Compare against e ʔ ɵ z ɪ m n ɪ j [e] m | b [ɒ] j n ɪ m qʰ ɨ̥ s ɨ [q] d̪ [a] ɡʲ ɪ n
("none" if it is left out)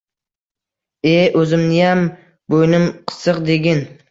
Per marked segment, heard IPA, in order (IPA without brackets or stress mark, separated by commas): a, o, q, e